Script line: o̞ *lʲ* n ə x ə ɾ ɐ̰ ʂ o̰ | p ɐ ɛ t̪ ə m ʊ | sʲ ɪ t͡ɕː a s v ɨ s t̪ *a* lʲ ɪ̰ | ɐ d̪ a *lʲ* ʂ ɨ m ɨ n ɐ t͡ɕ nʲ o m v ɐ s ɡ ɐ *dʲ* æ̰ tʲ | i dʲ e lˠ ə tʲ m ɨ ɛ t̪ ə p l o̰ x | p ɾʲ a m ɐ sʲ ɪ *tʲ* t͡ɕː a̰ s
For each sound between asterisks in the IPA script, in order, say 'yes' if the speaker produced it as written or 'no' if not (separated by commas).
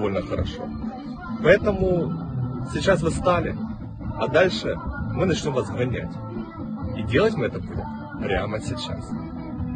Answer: yes, yes, yes, no, no